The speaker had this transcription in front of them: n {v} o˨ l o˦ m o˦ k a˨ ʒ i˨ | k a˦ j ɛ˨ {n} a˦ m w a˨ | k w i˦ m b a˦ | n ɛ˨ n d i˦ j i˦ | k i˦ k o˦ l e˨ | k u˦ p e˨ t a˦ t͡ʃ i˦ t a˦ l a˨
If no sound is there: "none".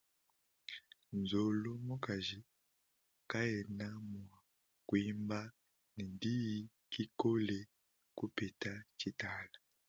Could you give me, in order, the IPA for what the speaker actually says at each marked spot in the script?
z, n

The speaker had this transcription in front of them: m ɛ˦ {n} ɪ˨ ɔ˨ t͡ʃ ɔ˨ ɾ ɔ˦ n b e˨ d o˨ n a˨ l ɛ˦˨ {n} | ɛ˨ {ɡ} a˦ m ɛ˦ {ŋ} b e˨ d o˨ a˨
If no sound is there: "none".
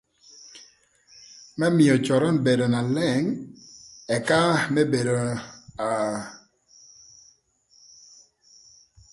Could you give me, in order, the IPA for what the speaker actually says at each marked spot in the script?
m, ŋ, k, none

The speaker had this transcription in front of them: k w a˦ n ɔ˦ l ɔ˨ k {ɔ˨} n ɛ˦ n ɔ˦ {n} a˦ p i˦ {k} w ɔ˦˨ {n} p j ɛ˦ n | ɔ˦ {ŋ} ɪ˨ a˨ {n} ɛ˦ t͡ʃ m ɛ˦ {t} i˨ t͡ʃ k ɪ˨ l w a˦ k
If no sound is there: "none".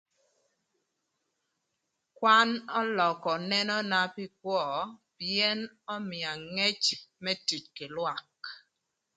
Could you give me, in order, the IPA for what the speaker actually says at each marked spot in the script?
ɔ˨, n, k, none, m, ŋ, t

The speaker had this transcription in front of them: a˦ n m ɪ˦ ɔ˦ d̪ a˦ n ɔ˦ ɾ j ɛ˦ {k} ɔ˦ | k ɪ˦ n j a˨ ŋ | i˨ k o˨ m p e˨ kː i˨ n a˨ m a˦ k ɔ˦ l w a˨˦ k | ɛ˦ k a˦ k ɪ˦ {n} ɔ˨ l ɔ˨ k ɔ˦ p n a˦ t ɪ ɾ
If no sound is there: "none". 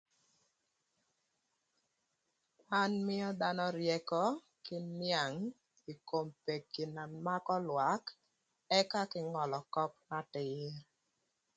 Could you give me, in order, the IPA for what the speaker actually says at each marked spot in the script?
k, ŋ

